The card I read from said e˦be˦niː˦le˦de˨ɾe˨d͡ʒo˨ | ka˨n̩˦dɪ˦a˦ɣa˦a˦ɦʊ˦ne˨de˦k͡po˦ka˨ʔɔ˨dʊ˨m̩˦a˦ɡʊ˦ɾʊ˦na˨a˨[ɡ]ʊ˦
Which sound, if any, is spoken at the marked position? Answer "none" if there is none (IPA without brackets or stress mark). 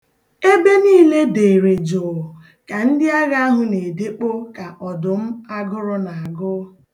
ɡ